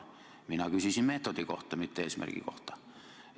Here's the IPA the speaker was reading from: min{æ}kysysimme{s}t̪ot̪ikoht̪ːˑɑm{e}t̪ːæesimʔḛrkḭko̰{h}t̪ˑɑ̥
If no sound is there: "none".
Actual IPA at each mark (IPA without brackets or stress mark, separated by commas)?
æ, none, i, h